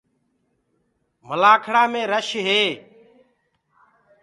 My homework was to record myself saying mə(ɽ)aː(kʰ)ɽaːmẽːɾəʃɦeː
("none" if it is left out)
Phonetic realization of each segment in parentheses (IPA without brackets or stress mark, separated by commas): l, kʰ